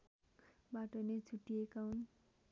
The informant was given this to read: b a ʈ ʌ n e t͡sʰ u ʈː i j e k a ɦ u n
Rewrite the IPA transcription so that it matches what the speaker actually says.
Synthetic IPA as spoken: b a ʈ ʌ n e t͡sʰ u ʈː i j e k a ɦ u n